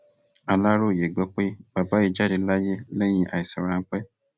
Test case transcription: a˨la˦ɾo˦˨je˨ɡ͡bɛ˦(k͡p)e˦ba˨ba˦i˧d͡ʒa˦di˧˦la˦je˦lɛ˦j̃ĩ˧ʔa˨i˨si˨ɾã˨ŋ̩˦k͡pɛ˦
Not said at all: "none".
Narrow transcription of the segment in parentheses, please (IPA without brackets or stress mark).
k͡p